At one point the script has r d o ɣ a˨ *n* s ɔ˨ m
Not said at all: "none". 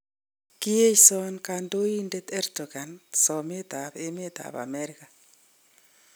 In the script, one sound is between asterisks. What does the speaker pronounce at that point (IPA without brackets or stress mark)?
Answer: n